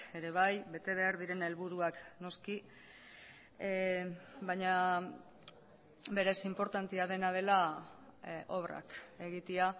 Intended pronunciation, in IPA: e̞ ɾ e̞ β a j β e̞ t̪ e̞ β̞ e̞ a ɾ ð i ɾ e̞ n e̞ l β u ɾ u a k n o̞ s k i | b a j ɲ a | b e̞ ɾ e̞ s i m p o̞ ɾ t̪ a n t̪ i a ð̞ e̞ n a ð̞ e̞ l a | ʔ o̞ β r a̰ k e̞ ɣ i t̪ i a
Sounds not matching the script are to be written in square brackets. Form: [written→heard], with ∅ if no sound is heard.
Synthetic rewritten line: e̞ ɾ e̞ β a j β e̞ t̪ e̞ β̞ e̞ a ɾ ð i ɾ e̞ n e̞ l β u ɾ u a k n o̞ s k i | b a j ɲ a | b e̞ ɾ e̞ s i m p o̞ ɾ t̪ a n t̪ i a ð̞ e̞ n a ð̞ e̞ l a | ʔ o̞ β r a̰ k e̞ ɣ i t̪ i a